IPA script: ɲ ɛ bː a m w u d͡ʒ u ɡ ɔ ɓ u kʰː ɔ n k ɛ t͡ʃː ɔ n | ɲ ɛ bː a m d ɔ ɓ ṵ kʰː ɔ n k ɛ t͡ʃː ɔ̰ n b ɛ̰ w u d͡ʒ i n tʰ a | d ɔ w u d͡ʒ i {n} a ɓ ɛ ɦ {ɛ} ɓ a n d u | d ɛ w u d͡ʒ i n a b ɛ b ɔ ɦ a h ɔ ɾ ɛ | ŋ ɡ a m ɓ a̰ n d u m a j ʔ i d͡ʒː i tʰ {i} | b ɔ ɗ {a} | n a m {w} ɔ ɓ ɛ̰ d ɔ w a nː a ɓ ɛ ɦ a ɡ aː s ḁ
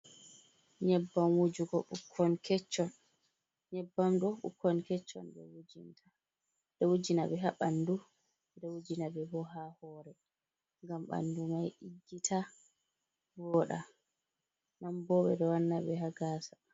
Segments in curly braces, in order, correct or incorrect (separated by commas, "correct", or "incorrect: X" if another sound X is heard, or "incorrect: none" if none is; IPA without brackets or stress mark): correct, incorrect: a, incorrect: a, correct, incorrect: b